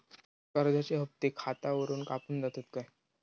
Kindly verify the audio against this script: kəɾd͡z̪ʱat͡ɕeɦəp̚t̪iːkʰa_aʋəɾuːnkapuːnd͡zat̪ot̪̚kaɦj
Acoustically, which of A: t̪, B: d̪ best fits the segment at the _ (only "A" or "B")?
A